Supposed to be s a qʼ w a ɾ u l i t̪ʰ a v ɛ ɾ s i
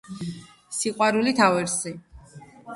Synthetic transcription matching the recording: s i qʼ w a ɾ u l i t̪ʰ a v ɛ ɾ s i